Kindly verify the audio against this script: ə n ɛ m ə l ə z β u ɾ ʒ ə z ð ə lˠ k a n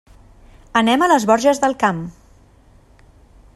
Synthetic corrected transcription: ə n ɛ m ə l ə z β ɔ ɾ ʒ ə z ð ə lˠ k a m

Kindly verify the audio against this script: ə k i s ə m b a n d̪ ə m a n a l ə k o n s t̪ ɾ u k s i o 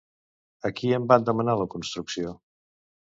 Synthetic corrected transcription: ə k i ə m b a n d̪ ə m ə n a l ə k u n s t̪ ɾ u k s i o

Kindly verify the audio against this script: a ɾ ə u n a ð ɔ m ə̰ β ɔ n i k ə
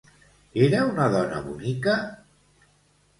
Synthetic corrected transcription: e ɾ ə u n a ð ɔ n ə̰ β u n i k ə

